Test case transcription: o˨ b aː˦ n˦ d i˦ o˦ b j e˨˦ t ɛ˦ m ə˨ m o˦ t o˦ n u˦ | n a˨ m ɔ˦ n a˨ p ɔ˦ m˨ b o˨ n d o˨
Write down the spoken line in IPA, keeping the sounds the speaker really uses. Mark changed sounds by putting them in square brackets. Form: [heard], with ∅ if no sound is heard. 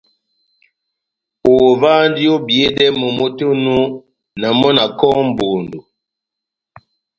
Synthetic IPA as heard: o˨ [v] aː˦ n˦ d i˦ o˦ b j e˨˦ [d] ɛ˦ m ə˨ m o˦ t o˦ n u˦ | n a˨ m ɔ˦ n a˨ [k] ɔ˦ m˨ b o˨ n d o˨